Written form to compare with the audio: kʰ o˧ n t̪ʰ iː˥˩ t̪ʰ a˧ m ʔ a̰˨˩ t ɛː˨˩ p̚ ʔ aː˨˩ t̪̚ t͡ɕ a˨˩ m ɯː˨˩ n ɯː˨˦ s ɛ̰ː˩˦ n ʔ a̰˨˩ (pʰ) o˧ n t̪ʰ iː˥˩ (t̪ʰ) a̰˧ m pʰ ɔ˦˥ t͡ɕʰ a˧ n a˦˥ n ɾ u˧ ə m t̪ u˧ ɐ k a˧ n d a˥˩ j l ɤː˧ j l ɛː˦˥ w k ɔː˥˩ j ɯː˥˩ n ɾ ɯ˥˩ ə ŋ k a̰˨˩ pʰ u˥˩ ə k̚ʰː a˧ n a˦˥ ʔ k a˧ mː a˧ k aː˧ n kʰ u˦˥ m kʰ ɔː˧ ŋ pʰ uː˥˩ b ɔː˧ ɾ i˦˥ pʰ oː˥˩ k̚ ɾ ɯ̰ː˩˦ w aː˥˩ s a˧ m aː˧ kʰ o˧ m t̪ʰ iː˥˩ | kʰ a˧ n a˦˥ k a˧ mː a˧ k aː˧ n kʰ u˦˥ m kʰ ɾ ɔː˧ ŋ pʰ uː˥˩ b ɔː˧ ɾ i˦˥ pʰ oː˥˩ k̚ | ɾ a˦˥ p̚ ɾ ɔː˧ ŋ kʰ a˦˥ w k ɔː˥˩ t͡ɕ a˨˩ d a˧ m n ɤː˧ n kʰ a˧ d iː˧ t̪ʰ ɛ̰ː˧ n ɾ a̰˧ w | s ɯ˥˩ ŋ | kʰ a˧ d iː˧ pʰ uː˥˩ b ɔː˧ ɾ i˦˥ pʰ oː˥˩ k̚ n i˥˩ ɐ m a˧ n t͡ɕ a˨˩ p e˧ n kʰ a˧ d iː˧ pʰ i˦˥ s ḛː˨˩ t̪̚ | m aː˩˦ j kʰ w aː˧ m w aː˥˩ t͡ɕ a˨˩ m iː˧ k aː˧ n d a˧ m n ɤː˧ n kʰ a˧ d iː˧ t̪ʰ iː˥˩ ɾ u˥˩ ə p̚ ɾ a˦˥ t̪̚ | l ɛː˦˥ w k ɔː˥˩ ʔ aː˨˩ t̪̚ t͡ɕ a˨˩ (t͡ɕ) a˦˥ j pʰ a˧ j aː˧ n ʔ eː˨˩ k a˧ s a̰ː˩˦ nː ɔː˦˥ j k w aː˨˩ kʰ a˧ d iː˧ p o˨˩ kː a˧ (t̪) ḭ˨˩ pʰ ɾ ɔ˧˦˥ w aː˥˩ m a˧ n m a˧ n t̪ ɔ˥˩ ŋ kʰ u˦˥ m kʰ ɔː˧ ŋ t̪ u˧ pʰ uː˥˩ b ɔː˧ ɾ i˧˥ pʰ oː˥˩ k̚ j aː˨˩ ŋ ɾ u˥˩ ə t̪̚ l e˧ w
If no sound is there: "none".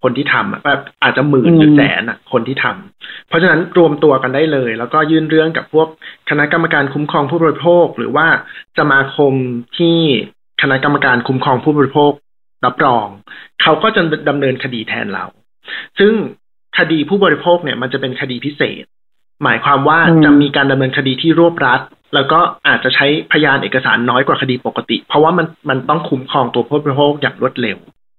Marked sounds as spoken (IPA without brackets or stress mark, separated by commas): kʰ, t̪ʰ, t͡ɕʰ, t̪